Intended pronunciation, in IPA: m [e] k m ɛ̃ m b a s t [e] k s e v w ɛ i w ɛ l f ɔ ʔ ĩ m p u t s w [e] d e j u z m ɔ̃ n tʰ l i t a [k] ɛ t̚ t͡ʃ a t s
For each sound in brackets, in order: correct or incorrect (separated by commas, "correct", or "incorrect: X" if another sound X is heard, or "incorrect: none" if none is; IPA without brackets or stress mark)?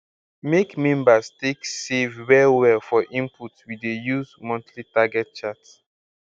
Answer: correct, correct, incorrect: i, incorrect: ɡ